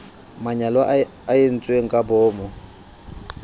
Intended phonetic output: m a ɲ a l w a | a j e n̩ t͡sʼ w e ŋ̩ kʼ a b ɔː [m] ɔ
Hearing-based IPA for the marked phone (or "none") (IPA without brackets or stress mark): m